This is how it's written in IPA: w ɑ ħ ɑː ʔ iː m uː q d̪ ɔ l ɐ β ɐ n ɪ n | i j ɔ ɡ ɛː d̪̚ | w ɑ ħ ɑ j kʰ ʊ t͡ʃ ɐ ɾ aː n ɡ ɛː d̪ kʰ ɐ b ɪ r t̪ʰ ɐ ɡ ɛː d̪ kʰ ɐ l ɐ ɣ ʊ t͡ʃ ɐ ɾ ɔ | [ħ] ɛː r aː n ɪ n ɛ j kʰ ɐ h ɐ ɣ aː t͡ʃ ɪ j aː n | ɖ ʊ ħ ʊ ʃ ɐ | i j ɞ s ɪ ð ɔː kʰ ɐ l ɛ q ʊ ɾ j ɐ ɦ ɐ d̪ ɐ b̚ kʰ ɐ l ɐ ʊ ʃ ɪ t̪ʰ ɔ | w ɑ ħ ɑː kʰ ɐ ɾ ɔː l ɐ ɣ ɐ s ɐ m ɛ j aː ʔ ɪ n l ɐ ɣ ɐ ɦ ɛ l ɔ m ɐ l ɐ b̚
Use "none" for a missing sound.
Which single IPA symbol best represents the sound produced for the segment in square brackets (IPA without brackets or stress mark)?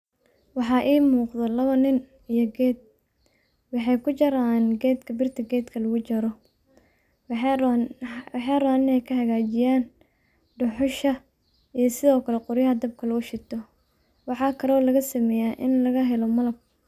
ħ